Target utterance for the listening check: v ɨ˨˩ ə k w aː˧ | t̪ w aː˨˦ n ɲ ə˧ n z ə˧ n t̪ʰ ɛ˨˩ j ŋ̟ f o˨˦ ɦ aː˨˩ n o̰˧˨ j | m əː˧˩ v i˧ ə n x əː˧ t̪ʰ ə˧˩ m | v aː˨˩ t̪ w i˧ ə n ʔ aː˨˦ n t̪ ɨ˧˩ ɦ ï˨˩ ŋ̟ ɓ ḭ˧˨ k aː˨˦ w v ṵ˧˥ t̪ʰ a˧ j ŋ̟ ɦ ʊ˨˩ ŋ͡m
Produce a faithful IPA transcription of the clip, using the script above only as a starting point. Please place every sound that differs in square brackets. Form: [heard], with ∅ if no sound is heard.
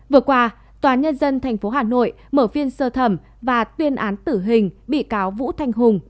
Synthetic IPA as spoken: v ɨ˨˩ ə k w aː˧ | t̪ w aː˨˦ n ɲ ə˧ n z ə˧ n t̪ʰ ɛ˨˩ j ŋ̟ f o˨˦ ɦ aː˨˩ n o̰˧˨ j | m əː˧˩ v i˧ ə n [s] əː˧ t̪ʰ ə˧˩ m | v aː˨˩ t̪ w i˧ ə n ʔ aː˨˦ n t̪ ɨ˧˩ ɦ ï˨˩ ŋ̟ ɓ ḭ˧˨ k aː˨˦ w v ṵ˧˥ t̪ʰ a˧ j ŋ̟ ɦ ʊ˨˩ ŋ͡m